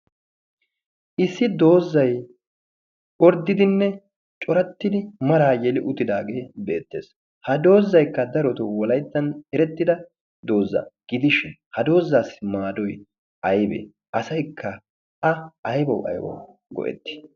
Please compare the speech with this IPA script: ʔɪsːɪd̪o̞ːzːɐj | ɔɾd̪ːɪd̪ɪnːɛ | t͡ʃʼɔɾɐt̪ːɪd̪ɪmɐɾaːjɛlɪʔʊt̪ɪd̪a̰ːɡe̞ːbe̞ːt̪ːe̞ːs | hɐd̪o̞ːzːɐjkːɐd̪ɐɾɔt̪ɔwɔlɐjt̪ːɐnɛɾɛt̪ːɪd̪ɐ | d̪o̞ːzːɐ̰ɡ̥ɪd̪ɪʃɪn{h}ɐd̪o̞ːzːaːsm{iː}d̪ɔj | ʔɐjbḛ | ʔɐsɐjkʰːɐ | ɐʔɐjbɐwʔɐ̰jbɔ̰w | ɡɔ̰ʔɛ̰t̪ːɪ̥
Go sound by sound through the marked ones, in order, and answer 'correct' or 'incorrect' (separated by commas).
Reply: correct, incorrect